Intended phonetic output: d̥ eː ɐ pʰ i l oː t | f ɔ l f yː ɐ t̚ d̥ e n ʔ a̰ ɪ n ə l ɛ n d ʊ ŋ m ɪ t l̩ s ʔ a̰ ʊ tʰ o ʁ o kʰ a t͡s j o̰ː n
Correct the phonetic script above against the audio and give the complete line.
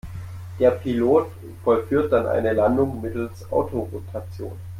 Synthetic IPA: d̥ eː ɐ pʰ i l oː t | f ɔ l f yː ɐ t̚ d̥ a n ʔ a̰ ɪ n ə l a n d ʊ ŋ m ɪ t l̩ s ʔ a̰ ʊ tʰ o ʁ o tʰ a t͡s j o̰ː n